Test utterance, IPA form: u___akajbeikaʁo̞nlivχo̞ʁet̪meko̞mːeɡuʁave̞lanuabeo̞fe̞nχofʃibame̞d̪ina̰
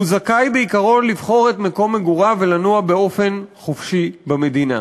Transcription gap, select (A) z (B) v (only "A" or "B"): A